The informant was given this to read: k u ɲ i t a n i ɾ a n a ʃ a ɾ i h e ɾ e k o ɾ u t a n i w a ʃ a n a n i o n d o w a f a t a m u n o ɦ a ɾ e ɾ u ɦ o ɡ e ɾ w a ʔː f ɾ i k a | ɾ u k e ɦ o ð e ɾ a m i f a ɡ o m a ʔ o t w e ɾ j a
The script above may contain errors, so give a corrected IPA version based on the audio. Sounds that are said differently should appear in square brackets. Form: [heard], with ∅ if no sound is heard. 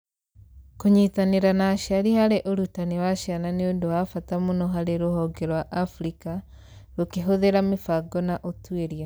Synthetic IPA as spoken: k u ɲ i t a n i ɾ a n a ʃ a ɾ i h [a] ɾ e [ʔ] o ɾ u t a n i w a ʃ a n a n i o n d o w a f a t a m u n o ɦ a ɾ e ɾ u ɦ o ɡ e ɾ w a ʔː f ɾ i k a | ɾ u k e ɦ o ð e ɾ a m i f a ɡ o [n] a ʔ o t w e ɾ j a